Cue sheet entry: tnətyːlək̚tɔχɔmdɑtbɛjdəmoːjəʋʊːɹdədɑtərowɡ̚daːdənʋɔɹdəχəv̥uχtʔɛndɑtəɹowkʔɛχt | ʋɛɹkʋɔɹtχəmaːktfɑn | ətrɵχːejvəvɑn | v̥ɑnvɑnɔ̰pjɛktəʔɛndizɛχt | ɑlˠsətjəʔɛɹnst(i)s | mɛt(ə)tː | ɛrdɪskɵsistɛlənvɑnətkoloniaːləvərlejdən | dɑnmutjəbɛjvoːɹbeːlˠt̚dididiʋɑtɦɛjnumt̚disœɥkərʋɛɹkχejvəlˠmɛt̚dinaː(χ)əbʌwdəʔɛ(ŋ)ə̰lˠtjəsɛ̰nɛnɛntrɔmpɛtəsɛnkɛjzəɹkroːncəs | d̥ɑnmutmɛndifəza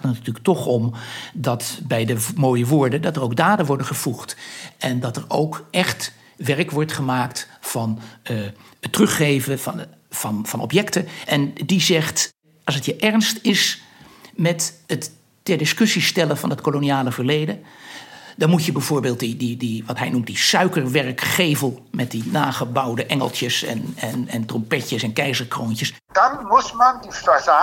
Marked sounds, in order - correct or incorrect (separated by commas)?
incorrect, correct, correct, correct